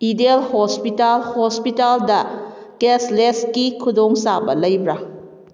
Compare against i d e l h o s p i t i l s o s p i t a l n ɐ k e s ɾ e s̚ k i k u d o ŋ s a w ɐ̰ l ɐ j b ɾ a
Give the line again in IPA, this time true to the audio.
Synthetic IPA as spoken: i d e l h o s p i t a l h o s p i t a l d ɐ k e s l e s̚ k i kʰ u d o ŋ s a b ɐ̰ l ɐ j b ɾ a